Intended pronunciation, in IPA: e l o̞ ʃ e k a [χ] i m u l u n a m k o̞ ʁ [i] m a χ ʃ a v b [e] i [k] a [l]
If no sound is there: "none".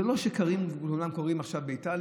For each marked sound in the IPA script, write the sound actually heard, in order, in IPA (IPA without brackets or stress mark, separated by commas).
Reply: ʁ, i, e, t, l